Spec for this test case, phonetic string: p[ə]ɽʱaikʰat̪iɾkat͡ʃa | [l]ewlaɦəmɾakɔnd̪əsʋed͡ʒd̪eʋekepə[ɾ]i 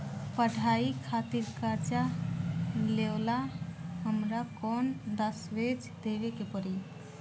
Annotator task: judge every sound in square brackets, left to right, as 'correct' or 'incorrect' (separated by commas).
correct, correct, correct